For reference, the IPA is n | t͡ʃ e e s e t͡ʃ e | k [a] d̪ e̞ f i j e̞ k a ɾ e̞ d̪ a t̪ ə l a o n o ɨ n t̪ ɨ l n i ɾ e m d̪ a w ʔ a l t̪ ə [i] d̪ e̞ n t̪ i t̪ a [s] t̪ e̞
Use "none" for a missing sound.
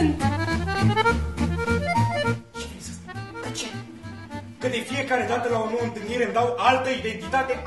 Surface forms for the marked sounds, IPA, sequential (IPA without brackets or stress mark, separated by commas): ə, i, none